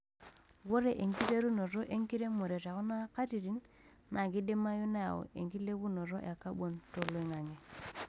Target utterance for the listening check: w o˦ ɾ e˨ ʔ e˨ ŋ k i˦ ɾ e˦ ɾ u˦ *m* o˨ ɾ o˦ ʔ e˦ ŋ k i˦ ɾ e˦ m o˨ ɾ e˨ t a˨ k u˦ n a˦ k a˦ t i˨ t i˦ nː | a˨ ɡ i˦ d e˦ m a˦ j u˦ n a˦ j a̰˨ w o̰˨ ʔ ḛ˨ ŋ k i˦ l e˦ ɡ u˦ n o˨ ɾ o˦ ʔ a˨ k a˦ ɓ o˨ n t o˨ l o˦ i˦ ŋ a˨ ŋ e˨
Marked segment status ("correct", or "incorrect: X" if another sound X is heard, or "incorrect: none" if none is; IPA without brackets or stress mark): incorrect: n